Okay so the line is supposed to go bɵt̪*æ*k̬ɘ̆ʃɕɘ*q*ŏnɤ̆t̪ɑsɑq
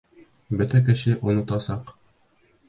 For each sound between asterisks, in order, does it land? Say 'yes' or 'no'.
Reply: yes, no

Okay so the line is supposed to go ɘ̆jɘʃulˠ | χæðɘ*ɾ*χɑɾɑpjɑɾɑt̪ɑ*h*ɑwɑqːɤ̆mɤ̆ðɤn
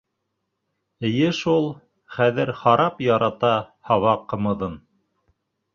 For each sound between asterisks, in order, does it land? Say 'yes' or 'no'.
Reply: yes, yes

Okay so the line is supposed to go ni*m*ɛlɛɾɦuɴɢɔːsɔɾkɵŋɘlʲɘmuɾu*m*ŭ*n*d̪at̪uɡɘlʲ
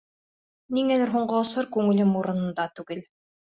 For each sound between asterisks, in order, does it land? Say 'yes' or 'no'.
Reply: no, no, yes

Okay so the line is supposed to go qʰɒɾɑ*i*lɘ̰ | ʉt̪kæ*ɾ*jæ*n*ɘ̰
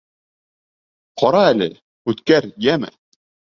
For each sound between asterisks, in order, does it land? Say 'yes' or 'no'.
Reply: no, yes, no

